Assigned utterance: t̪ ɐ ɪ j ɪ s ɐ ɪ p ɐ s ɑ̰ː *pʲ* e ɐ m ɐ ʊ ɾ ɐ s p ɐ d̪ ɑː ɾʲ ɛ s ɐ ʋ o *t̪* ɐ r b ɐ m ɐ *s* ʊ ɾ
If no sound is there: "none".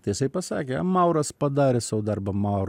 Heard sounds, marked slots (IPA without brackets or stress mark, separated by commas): kʲ, d̪, none